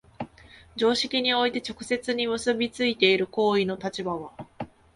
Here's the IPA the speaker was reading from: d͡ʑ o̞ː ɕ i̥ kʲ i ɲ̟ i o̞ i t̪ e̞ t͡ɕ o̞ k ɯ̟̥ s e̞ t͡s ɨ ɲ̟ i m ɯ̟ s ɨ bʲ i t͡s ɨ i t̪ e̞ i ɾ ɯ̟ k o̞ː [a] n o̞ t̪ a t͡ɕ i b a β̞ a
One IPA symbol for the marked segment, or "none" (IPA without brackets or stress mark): i